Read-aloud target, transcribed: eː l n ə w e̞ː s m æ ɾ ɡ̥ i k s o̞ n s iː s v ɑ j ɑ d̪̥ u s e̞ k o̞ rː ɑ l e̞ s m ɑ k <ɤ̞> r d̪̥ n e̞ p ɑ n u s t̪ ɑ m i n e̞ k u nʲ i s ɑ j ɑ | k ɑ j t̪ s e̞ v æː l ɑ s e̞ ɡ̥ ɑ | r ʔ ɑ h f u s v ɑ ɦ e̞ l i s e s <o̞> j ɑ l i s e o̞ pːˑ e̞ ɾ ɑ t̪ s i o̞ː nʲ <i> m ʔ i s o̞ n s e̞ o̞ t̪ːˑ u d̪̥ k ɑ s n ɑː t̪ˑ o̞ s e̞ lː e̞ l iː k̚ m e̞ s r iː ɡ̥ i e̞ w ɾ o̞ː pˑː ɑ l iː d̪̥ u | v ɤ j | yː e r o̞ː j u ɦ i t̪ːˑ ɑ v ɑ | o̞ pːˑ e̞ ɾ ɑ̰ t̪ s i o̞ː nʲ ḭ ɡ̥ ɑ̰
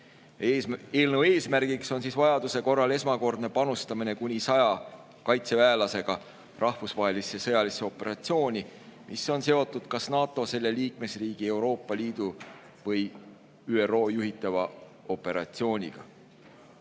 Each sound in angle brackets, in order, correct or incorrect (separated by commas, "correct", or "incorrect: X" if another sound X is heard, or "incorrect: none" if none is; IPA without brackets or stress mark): incorrect: o̞, incorrect: ɤ̞, correct